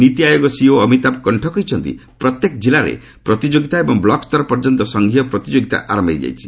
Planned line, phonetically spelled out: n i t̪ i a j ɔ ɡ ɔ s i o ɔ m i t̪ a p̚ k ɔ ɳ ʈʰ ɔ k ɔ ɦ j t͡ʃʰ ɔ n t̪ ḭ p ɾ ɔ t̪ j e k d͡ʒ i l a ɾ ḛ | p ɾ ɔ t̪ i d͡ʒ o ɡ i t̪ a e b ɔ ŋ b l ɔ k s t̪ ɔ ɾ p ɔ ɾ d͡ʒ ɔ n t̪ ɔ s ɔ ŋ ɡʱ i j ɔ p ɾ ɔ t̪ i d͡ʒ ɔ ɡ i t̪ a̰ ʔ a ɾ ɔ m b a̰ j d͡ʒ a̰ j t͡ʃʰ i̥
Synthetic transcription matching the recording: n i t̪ i a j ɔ ɡ ɔ s i o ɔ m i t̪ a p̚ k ɔ ɳ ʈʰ ɔ k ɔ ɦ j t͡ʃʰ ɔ n t̪ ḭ p ɾ ɔ t̪ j e k d͡ʒ i l a ɾ ḛ | p ɾ ɔ t̪ i d͡ʒ o ɡ i t̪ a e b ɔ ŋ b l ɔ k s t̪ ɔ ɾ p ɔ ɾ d͡ʒ ɔ n t̪ ɔ s ɔ ŋ ɡʱ i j ɔ p ɾ ɔ t̪ i d͡ʒ o ɡ i t̪ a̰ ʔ a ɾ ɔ m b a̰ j d͡ʒ a̰ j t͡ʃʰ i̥